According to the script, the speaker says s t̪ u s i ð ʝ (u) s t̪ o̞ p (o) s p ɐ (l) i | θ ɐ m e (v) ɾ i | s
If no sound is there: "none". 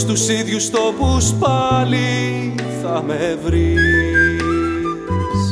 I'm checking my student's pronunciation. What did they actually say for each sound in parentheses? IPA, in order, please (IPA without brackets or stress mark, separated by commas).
u, u, l, v